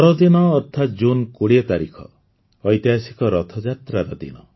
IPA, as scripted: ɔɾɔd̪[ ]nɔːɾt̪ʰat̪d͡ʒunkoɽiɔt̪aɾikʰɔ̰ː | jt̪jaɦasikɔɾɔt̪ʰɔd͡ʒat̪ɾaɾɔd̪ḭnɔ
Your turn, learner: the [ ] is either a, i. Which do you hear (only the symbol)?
i